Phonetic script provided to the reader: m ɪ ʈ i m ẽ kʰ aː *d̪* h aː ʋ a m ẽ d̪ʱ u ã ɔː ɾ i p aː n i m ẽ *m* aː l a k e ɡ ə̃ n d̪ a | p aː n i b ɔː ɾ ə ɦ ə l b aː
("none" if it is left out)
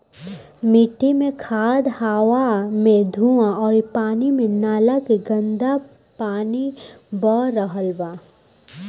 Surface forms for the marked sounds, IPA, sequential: d̪, n

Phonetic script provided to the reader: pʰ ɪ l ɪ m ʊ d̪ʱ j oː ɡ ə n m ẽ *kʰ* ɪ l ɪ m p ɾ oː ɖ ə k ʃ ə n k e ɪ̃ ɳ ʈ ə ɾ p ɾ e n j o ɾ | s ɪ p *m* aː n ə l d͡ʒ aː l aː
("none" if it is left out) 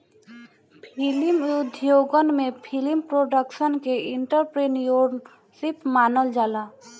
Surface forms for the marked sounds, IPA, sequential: pʰ, m

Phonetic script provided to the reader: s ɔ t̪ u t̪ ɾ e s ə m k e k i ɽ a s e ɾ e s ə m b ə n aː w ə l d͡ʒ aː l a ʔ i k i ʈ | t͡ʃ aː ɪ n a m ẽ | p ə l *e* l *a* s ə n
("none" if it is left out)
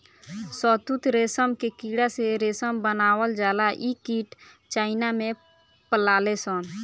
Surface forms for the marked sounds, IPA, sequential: a, e

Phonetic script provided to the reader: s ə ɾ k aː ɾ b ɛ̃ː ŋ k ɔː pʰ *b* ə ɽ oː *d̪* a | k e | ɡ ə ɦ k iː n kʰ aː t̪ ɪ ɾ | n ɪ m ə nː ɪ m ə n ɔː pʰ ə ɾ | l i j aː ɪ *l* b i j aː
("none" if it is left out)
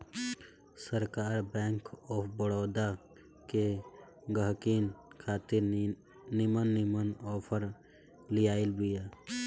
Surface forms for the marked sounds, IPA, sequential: b, d̪, l

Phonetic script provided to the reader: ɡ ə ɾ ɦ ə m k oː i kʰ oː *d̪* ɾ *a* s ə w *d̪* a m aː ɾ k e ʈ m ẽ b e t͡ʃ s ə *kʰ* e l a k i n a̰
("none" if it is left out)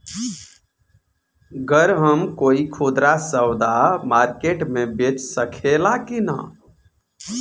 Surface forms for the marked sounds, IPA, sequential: d̪, a, d̪, kʰ

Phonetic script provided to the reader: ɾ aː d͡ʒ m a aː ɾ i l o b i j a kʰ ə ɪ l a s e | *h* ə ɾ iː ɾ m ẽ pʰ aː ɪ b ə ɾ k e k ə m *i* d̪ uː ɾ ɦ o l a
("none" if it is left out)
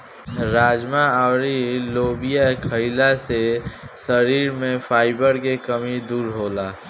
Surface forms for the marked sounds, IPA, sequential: s, i

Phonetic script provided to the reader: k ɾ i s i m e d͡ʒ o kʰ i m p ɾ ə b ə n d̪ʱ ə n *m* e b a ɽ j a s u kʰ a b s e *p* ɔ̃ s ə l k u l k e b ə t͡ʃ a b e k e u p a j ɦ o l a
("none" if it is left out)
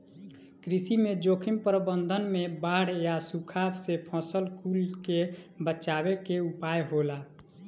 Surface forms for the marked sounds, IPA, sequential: m, pʰ

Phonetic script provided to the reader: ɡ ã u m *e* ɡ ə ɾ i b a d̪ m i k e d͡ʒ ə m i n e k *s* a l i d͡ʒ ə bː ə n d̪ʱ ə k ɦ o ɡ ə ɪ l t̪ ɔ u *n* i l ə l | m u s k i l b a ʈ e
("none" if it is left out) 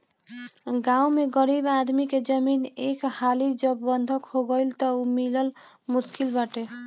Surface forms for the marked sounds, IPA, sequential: e, h, m

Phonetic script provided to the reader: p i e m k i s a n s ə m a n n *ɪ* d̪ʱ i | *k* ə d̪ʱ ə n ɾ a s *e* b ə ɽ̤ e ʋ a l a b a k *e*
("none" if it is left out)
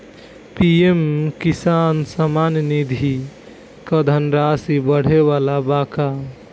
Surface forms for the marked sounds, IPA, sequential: i, k, i, a

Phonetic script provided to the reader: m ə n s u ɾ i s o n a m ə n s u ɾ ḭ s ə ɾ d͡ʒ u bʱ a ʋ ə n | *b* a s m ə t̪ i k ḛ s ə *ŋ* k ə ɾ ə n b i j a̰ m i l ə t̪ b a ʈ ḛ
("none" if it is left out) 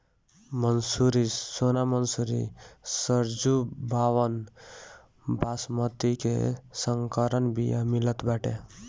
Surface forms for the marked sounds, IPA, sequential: b, ŋ

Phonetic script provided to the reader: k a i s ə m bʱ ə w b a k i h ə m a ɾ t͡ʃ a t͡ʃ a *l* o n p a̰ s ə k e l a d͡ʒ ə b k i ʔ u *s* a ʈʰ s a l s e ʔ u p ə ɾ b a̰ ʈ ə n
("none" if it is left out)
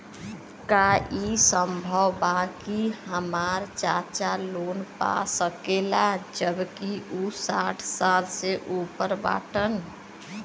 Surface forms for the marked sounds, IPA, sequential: l, s

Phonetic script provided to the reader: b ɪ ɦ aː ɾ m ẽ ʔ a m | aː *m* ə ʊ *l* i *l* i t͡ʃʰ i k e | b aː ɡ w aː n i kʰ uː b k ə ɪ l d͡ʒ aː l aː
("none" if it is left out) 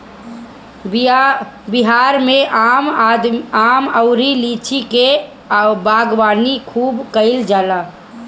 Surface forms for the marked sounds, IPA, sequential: m, ɾ, l

